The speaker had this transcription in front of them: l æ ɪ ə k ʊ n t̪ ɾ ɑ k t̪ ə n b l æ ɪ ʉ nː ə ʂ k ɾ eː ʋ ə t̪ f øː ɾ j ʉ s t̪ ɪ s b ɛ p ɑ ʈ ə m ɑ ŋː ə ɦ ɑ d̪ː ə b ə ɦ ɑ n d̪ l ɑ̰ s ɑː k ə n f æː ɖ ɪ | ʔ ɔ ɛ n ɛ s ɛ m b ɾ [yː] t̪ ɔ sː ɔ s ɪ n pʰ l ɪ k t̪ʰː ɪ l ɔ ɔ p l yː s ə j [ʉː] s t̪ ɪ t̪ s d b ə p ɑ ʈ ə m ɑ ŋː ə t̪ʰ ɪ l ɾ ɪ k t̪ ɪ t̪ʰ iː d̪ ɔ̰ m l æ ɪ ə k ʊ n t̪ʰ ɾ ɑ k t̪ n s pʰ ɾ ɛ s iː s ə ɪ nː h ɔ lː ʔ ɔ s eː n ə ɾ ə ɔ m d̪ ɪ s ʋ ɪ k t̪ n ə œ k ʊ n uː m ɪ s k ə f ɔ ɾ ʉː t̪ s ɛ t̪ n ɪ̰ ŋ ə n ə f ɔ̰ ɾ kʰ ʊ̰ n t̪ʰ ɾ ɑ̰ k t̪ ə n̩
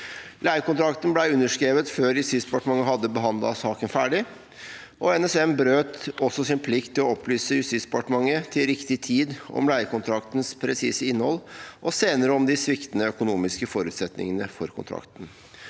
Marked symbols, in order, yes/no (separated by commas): no, no